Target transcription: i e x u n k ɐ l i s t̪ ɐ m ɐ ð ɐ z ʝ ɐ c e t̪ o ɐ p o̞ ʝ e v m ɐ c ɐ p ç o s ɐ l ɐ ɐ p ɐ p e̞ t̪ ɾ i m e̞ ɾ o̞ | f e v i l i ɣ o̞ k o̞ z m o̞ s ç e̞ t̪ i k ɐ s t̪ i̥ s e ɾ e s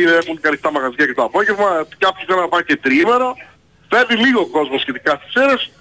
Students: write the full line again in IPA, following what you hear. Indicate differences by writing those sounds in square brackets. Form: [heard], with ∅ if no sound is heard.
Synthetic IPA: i e x u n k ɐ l i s t̪ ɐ m ɐ [ɣ] ɐ z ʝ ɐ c e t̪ o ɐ p o̞ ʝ e v m ɐ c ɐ p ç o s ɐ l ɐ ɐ p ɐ [c] e̞ t̪ ɾ i m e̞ ɾ o̞ | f e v i l i ɣ o̞ k o̞ z m o̞ s ç e̞ t̪ i k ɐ s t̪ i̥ s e ɾ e s